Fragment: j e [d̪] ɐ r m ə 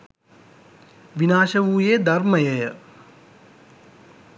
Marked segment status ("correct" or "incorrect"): correct